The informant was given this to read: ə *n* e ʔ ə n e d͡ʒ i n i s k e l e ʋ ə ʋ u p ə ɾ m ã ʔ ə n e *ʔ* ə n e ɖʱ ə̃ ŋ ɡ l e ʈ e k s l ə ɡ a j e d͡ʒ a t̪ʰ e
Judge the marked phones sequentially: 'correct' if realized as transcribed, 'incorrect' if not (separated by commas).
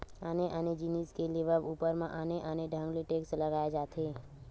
correct, correct